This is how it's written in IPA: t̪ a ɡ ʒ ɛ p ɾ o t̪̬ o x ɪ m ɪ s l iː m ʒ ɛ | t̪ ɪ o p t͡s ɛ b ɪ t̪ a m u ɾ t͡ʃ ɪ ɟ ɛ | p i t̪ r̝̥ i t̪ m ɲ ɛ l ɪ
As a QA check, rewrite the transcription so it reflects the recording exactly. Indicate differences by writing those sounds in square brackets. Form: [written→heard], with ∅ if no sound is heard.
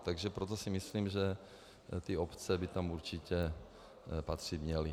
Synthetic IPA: t̪ a ɡ ʒ ɛ p ɾ o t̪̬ o [x→s] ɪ m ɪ s l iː m ʒ ɛ | t̪ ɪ o p t͡s ɛ b ɪ t̪ a m u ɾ t͡ʃ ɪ [ɟ→c] ɛ | p [i→a] t̪ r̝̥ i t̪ m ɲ ɛ l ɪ